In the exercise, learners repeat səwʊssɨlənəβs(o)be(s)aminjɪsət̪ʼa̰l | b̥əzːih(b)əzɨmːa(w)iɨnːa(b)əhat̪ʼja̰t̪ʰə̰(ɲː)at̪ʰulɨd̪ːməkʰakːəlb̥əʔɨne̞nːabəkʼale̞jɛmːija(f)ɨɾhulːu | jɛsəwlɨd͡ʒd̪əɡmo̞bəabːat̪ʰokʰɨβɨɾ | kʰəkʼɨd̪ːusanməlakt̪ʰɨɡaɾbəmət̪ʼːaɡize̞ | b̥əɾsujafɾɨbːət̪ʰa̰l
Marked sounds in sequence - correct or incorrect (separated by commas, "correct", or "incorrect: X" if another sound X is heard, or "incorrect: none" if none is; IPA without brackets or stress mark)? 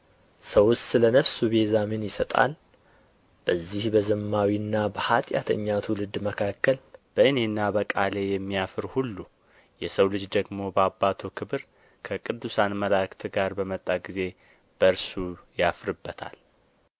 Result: incorrect: u, incorrect: z, correct, correct, correct, correct, correct